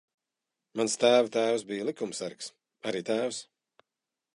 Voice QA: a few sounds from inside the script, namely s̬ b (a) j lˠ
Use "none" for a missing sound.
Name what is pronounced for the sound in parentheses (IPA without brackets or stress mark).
i